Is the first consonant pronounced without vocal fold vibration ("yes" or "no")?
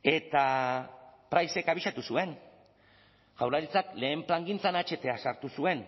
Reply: yes